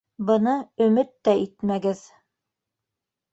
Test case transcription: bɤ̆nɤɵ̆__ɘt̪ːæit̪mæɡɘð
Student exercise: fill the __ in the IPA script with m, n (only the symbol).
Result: m